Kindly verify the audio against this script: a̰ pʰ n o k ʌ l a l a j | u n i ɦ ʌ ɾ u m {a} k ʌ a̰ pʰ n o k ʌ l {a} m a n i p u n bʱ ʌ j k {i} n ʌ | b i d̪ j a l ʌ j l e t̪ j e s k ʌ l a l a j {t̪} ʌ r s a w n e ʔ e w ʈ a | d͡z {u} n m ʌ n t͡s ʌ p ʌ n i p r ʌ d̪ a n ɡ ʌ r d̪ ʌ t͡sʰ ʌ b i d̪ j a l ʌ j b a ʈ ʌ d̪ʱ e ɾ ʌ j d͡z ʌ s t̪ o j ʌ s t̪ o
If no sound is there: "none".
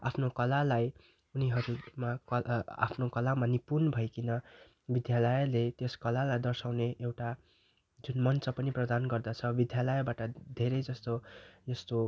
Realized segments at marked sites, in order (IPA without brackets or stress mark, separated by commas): a, a, i, d̪, u